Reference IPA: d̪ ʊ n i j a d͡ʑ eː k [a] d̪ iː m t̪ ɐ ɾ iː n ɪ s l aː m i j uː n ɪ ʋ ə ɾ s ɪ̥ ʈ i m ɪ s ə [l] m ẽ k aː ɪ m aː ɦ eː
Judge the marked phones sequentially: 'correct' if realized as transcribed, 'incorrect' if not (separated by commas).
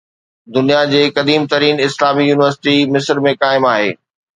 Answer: incorrect, incorrect